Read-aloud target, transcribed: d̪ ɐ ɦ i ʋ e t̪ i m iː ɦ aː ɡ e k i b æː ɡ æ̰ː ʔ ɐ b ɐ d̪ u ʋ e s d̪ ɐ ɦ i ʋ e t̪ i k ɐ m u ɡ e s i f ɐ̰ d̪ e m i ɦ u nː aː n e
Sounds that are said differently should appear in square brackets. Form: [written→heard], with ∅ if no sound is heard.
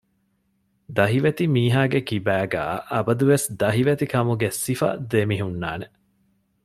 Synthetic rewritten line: d̪ ɐ ɦ i ʋ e t̪ i m iː ɦ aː ɡ e k i b æː ɡ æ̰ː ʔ ɐ b ɐ d̪ u ʋ e s d̪ ɐ ɦ i ʋ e t̪ i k ɐ m u ɡ e s i f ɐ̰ d̪ e m i ɦ u nː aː n e

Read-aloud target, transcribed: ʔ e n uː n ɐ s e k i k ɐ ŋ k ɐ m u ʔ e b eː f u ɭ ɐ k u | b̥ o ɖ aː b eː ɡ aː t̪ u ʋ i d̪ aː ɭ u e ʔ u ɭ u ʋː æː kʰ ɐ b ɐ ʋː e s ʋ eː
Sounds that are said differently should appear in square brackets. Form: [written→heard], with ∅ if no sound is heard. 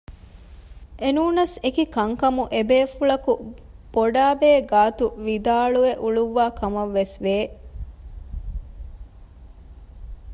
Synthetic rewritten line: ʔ e n uː n ɐ s e k i k ɐ ŋ k ɐ m u ʔ e b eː f u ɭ ɐ k u | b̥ o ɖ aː b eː ɡ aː t̪ u ʋ i d̪ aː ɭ u e ʔ u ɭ u ʋː [æː→aː] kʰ ɐ [b→m] ɐ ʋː e s ʋ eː

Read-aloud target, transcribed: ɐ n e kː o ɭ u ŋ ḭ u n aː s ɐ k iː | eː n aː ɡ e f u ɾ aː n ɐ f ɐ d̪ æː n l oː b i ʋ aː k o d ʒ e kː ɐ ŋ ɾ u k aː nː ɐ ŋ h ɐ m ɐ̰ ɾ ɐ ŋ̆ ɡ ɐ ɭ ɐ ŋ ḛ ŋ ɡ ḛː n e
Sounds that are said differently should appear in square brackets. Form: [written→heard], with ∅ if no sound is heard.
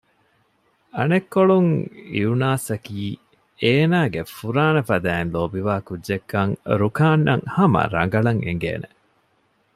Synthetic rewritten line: ɐ n e kː o ɭ u ŋ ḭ u n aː s ɐ k iː | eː n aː ɡ e f u ɾ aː n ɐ f ɐ d̪ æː n l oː b i ʋ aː k [o→u] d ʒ e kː ɐ ŋ ɾ u k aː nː ɐ ŋ h ɐ m ɐ̰ ɾ ɐ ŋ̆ ɡ ɐ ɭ ɐ ŋ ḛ ŋ ɡ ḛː n e

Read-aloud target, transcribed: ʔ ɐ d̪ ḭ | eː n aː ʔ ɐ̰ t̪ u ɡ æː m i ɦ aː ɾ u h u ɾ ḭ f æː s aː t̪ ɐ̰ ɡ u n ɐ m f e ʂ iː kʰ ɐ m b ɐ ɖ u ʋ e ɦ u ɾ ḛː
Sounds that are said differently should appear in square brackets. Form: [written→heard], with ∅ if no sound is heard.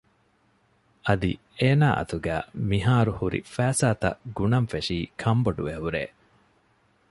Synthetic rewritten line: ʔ ɐ d̪ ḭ | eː n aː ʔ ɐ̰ t̪ u ɡ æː m i ɦ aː ɾ u h u ɾ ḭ f æː s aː t̪ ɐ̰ ɡ u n ɐ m f e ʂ iː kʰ ɐ m b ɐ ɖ u ʋ e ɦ u ɾ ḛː

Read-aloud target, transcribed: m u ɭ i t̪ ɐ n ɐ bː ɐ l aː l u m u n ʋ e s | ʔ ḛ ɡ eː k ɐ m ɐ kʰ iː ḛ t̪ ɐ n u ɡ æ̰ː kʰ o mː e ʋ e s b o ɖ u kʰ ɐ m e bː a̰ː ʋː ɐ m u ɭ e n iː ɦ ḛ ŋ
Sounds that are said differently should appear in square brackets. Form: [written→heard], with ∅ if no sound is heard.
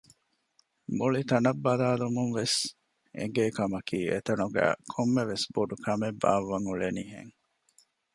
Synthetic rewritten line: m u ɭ i t̪ ɐ n ɐ bː ɐ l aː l u m u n ʋ e s | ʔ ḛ ɡ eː k ɐ m ɐ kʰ iː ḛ t̪ ɐ n u ɡ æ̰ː kʰ o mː e ʋ e s b o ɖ u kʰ ɐ m e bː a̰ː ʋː ɐ [m→ŋ] u ɭ e n iː ɦ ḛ ŋ

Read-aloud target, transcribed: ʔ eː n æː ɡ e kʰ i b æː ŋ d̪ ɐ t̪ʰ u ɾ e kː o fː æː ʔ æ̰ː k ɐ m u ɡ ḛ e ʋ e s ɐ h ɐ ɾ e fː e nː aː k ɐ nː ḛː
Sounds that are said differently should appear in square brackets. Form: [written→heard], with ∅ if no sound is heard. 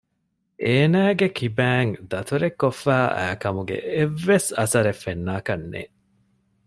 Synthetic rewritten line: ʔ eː n æː ɡ e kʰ i b æː ŋ d̪ ɐ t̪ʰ u ɾ e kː o fː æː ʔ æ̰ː k ɐ m u ɡ ḛ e [ʋ→ʋː] e s ɐ [h→s] ɐ ɾ e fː e nː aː k ɐ nː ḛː

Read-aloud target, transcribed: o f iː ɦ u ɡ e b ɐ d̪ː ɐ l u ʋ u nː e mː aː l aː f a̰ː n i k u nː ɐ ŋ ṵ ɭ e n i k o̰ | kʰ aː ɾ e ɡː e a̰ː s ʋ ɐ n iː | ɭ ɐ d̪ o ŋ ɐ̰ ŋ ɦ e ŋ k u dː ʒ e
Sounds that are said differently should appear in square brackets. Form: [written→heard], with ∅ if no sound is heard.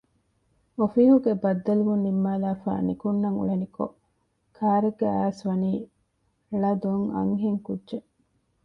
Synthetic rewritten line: o f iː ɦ u ɡ e b ɐ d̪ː ɐ l u ʋ u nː [e→i] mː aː l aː f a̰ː n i k u nː ɐ ŋ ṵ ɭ e n i k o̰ | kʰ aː ɾ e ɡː e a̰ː s ʋ ɐ n iː | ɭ ɐ d̪ o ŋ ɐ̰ ŋ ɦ e ŋ k u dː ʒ e

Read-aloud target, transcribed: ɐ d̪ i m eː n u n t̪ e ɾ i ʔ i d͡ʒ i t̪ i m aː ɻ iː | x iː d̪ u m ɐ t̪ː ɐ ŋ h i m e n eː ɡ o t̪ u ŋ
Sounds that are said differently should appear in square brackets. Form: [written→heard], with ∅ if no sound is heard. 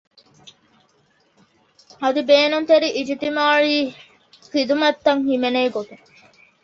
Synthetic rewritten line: ɐ d̪ i [m→b] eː n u n t̪ e ɾ i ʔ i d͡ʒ i t̪ i m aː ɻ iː | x [iː→i] d̪ u m ɐ t̪ː ɐ ŋ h i m e n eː ɡ o t̪ u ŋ

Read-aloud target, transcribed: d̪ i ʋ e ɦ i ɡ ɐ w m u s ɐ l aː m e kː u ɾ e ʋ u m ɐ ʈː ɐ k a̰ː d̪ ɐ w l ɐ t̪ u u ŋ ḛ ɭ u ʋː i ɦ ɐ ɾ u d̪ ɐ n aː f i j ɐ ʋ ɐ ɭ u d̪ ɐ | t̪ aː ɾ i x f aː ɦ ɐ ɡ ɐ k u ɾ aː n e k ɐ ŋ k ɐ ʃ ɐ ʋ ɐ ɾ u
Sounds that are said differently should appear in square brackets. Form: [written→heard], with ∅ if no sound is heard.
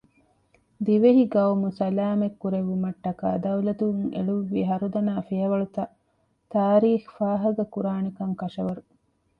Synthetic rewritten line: d̪ i ʋ e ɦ i ɡ ɐ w m u s ɐ l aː m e kː u ɾ e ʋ u m ɐ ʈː ɐ k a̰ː d̪ ɐ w l ɐ t̪ u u ŋ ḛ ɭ u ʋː i ɦ ɐ ɾ u d̪ ɐ n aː f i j ɐ ʋ ɐ ɭ u [d̪→t̪] ɐ | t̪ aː ɾ [i→iː] x f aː ɦ ɐ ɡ ɐ k u ɾ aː n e k ɐ ŋ k ɐ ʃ ɐ ʋ ɐ ɾ u

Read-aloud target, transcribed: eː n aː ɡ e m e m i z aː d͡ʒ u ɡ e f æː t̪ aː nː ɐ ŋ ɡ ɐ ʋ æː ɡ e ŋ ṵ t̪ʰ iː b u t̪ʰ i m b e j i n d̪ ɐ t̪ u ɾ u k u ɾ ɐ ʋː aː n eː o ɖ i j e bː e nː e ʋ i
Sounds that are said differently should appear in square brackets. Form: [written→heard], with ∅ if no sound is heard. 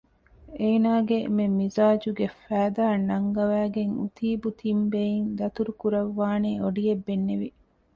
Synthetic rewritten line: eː n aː ɡ e m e m i z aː d͡ʒ u ɡ e f æː [t̪→d̪] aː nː ɐ ŋ ɡ ɐ ʋ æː ɡ e ŋ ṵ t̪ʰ iː b u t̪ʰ i m b e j i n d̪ ɐ t̪ u ɾ u k u ɾ ɐ ʋː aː n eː o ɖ i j e bː e nː e ʋ i

